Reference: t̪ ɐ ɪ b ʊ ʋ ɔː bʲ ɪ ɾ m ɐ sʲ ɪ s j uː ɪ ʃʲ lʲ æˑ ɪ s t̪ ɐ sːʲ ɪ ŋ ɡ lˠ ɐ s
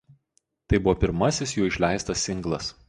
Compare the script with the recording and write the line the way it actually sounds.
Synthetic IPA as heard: t̪ ɐ ɪ b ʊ ʋ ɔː pʲ ɪ ɾ m ɐ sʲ ɪ s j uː ɪ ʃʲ lʲ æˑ ɪ s t̪ ɐ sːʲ ɪ ŋ ɡ lˠ ɐ s